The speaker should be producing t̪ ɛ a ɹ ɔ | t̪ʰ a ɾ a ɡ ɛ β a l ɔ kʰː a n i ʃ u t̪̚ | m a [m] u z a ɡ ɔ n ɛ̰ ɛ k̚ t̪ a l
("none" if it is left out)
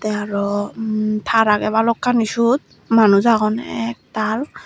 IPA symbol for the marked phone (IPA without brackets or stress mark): n